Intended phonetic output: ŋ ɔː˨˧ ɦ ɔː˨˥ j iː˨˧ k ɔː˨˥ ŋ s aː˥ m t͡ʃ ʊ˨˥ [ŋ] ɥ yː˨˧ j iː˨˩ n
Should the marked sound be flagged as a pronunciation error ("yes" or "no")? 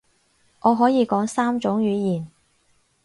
no